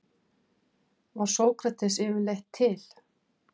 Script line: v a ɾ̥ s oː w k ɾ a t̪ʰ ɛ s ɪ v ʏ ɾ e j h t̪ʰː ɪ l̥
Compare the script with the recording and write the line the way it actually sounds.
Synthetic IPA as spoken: v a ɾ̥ s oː w k ɾ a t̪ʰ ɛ s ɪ v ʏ l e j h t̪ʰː ɪ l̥